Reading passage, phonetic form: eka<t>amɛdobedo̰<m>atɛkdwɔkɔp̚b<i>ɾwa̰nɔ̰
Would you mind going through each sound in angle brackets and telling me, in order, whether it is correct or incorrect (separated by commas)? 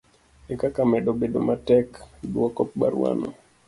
incorrect, correct, incorrect